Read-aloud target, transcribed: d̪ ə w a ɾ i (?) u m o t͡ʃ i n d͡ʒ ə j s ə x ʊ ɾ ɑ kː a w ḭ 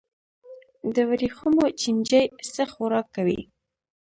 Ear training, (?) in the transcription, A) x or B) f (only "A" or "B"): A